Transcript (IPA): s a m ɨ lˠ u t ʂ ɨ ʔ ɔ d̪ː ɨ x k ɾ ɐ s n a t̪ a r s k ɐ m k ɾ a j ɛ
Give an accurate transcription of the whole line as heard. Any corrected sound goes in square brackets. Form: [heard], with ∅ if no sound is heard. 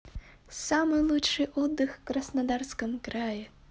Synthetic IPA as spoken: s a m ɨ lˠ u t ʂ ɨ ʔ ɔ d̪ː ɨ x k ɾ ɐ s n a [d̪] a r s k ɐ m k ɾ a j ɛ